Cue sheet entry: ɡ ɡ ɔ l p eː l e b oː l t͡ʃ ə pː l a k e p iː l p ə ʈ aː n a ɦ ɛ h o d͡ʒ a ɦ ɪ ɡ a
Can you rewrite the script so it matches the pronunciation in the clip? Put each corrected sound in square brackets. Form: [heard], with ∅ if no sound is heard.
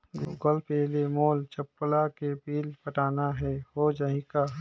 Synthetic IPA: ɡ ɡ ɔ l p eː l e [m] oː l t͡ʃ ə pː l a k e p iː l p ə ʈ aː n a ɦ ɛ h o d͡ʒ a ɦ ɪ [k] a